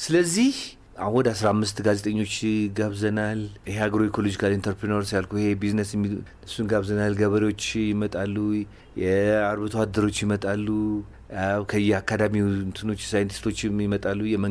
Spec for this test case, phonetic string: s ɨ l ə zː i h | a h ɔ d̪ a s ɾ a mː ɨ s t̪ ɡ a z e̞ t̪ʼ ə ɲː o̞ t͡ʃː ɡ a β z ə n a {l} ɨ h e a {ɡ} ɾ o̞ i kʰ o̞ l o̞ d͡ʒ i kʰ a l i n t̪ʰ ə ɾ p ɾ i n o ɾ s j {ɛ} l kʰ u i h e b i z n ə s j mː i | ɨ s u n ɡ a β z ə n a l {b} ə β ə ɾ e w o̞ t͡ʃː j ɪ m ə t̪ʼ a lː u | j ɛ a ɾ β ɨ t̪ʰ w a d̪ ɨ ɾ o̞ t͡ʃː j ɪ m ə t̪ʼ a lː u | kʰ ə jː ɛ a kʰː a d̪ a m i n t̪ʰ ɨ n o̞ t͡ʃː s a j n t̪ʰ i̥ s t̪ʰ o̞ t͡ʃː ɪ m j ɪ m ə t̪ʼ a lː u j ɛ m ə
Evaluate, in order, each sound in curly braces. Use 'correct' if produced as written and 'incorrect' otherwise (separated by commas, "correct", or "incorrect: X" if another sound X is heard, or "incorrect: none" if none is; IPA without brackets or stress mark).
correct, correct, incorrect: a, incorrect: ɡ